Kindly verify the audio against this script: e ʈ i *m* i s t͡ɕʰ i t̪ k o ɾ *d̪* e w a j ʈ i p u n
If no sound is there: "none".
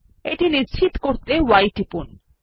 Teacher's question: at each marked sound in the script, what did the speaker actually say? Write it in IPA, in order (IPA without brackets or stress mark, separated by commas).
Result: n, t̪